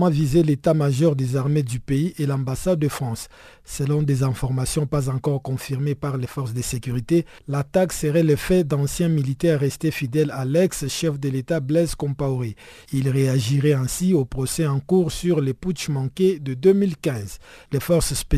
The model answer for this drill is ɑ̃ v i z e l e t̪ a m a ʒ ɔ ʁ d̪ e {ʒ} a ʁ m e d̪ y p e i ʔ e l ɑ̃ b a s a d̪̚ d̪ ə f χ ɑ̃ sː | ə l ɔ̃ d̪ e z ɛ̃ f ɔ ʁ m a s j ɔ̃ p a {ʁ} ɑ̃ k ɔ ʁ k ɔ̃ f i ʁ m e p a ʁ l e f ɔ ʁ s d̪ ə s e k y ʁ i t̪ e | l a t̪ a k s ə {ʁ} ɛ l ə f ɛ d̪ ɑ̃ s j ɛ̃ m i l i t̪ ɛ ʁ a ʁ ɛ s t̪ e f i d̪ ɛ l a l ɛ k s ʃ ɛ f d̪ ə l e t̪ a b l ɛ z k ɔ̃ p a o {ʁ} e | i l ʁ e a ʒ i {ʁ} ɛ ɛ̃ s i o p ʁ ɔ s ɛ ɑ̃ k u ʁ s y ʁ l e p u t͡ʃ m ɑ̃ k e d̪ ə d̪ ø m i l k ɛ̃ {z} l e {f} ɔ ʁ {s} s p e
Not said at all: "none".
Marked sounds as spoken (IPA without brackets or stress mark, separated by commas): z, z, ʁ, ʁ, ʁ, z, f, s